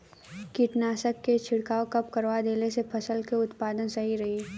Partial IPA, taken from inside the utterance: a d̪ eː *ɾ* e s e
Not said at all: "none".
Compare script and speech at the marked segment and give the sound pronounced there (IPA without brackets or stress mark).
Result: l